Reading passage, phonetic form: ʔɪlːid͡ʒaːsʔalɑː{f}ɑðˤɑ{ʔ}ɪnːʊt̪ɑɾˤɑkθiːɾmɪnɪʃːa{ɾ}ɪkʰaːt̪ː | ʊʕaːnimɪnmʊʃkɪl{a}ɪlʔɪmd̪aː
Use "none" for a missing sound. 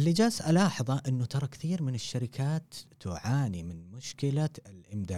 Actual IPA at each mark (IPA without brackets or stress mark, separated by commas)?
ħ, ʔ, ɾ, a